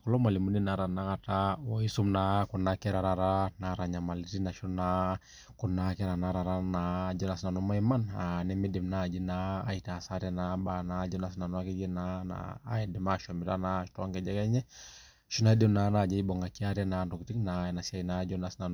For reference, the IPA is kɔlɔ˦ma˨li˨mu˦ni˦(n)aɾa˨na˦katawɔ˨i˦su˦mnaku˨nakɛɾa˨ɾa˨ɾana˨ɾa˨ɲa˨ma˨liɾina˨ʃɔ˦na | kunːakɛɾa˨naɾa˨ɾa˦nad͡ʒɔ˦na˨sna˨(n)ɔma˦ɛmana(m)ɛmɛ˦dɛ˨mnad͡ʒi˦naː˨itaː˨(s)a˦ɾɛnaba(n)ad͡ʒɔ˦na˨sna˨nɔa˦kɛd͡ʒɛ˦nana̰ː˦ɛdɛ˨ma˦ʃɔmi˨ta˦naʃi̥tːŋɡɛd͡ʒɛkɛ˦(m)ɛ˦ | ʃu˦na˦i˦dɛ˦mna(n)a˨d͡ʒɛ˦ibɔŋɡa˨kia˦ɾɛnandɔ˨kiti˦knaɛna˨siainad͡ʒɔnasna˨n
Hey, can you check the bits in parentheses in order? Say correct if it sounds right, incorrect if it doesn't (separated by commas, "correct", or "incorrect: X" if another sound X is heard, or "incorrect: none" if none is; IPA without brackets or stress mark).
correct, correct, incorrect: n, correct, correct, incorrect: ɲ, correct